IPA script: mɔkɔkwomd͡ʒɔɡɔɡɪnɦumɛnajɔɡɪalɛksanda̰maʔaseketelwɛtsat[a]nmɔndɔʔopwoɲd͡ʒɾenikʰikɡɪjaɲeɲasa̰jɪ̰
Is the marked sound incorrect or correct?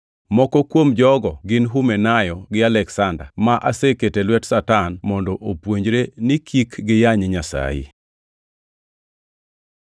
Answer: correct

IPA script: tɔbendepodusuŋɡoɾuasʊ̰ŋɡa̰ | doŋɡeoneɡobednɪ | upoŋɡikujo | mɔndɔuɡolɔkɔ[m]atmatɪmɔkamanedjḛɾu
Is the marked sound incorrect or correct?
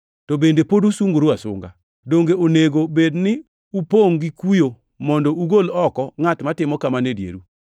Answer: incorrect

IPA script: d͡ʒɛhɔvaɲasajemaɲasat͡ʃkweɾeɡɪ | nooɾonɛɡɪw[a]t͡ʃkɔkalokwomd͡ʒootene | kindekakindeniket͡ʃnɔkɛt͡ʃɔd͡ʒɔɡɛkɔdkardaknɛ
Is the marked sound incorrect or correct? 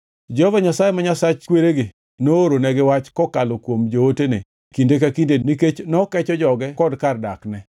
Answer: correct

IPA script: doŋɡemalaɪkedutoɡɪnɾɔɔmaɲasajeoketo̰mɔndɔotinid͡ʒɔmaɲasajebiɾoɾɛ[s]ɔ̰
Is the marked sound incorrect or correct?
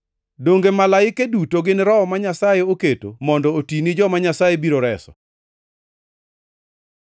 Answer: correct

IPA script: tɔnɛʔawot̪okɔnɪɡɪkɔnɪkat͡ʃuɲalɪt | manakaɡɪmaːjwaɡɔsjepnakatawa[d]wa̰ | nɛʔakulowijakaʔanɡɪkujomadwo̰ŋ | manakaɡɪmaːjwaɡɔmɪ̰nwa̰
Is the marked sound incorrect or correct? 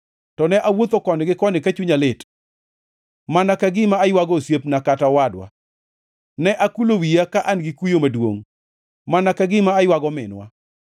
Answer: correct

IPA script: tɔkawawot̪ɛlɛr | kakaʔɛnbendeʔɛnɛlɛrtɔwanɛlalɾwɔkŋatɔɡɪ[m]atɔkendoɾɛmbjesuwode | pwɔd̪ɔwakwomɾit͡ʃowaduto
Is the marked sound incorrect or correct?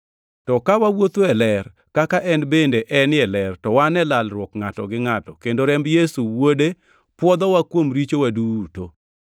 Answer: incorrect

